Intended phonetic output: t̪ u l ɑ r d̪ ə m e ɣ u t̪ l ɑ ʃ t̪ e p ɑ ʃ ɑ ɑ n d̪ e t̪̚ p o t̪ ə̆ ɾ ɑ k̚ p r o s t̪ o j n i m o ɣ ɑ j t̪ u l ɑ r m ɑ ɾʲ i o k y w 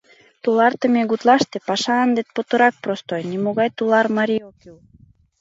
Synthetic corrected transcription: t̪ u l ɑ r t̪ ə m e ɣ u t̪ l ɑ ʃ t̪ e p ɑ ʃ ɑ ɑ n d̪ e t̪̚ p o t̪ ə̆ ɾ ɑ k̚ p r o s t̪ o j n i m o ɣ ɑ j t̪ u l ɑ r m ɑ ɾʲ i o k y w